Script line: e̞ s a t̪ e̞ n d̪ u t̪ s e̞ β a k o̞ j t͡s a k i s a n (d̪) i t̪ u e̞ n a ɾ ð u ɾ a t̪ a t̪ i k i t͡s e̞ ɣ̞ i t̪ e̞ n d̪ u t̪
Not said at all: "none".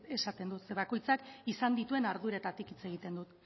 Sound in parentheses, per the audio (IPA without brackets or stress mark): d̪